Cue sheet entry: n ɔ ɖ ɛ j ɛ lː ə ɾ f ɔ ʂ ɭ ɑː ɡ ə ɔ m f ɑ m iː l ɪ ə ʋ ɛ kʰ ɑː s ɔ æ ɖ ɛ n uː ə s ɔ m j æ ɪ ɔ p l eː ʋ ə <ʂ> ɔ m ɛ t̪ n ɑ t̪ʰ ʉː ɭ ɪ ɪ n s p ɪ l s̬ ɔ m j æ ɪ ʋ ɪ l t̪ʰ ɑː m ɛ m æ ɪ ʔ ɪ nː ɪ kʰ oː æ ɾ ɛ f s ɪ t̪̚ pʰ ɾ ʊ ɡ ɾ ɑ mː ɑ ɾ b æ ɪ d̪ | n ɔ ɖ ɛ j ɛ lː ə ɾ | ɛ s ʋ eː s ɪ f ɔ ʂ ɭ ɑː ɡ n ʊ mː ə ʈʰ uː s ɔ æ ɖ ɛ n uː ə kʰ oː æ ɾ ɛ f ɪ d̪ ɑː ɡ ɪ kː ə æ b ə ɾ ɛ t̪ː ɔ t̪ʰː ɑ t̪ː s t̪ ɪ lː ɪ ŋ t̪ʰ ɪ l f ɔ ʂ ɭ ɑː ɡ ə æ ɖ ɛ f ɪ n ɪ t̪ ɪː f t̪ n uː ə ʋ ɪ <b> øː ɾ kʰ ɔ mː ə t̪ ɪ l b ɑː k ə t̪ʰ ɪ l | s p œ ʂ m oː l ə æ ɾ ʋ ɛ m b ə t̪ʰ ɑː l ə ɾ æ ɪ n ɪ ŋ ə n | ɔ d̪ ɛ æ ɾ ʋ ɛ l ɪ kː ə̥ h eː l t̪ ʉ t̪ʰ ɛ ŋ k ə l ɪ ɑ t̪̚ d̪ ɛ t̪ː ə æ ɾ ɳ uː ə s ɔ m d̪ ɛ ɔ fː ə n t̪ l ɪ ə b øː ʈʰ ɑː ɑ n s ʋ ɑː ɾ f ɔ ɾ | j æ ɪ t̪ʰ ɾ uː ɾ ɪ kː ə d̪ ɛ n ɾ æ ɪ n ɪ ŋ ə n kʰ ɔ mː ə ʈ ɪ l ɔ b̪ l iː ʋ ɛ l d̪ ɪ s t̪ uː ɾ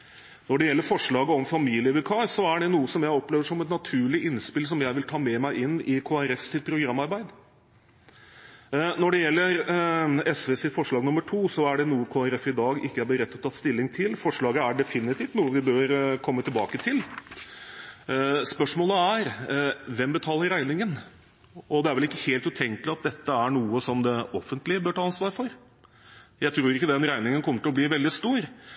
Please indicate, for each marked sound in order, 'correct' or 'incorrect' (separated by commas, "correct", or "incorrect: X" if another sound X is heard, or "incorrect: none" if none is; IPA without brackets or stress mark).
correct, correct